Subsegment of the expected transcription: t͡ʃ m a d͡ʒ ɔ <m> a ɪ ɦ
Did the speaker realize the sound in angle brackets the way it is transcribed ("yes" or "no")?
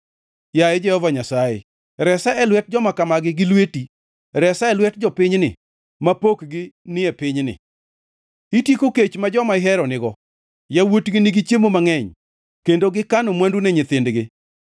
yes